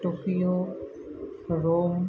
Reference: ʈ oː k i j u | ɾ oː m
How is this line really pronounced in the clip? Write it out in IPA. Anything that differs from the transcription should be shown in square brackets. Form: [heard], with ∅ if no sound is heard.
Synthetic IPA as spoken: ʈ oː k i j [o] | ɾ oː m

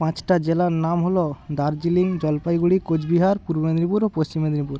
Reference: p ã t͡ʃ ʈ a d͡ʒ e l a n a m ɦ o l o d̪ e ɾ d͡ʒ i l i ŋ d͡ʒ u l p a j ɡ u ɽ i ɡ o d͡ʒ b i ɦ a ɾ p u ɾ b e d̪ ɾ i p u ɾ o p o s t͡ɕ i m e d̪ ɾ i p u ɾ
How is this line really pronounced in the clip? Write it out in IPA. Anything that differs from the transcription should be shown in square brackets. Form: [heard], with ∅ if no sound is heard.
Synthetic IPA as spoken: p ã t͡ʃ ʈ a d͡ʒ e l a n a m ɦ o l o d̪ [a] ɾ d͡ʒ i l i ŋ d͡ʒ [ɔ] l p a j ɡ u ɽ i [k] o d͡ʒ b i ɦ a ɾ p u ɾ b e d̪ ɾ i p u ɾ o p o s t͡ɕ i m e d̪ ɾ i p u ɾ

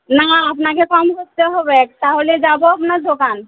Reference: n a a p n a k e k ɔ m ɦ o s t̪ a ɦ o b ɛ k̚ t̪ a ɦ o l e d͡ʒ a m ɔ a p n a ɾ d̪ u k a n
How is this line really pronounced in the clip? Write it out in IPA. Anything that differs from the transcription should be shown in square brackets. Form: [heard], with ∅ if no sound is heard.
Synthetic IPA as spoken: n a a p n a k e k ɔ m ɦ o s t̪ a ɦ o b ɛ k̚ t̪ a ɦ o l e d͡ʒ a [b] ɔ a p n a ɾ d̪ [o] k a n

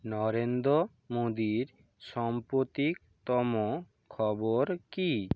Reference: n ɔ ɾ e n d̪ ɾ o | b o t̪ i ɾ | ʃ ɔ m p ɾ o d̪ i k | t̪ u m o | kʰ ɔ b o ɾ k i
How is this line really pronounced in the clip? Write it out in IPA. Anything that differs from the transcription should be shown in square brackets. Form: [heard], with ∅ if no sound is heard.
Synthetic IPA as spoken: n ɔ ɾ e n d̪ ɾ o | [m] o [d̪] i ɾ | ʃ ɔ m p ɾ o [t̪] i k | t̪ [ɔ] m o | kʰ ɔ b o ɾ k i

